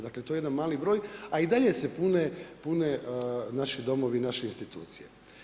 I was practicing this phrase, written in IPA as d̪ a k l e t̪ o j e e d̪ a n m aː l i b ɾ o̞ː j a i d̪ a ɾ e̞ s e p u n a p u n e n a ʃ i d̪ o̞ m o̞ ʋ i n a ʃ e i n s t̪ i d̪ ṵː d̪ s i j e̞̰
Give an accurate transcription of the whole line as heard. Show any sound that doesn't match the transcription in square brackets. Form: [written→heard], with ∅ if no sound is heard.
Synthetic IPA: d̪ a k l e t̪ o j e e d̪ a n m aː l i b ɾ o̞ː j a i d̪ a [ɾ→ʎ] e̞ s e p u n [a→e] p u n e n a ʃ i d̪ o̞ m o̞ ʋ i n a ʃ e i n s t̪ i [d̪→t̪] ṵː [d̪→t̪] s i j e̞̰